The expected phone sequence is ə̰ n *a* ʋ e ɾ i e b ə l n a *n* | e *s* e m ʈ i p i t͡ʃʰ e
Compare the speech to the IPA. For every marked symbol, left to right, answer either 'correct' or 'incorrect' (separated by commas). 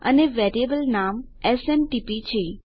incorrect, incorrect, correct